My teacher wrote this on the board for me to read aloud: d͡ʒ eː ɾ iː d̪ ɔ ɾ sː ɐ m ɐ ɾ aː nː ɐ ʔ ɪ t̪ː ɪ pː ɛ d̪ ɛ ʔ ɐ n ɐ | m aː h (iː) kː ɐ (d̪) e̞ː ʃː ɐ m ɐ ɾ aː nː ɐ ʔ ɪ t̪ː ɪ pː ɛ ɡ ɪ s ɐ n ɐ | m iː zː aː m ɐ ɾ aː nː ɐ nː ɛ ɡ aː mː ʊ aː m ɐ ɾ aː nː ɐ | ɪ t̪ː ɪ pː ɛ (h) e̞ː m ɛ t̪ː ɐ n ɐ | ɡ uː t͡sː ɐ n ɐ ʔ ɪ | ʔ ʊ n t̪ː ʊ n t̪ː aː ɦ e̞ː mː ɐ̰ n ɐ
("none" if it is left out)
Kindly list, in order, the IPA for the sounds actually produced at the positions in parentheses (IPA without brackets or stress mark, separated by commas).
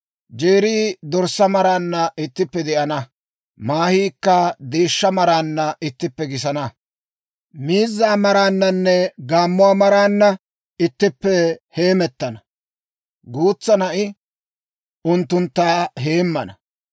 iː, d̪, h